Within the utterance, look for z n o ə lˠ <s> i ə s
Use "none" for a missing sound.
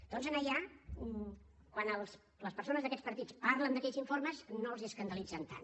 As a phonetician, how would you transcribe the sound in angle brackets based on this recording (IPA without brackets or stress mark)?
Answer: z